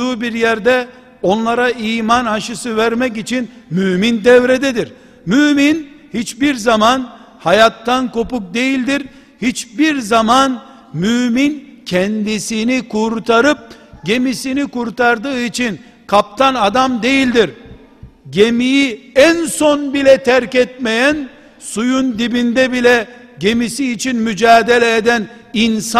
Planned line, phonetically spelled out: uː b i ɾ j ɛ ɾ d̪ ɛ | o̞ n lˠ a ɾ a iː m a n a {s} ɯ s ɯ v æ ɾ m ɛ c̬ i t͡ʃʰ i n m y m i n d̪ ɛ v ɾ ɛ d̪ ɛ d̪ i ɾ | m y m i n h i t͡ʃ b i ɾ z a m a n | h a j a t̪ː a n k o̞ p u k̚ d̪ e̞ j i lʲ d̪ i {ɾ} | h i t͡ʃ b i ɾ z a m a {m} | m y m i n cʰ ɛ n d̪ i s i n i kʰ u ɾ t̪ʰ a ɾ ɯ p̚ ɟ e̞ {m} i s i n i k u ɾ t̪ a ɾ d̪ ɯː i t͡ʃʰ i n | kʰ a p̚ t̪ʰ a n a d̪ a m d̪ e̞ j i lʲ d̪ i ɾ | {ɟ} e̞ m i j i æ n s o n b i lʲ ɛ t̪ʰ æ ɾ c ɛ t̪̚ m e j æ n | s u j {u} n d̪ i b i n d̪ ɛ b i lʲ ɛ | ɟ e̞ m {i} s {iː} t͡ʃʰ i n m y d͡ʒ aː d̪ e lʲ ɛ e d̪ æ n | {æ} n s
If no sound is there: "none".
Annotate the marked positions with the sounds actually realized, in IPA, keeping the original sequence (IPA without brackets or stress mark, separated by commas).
ʃ, ɾ, n, m, ɟ, u, i, iː, i